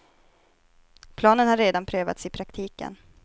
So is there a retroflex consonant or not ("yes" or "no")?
no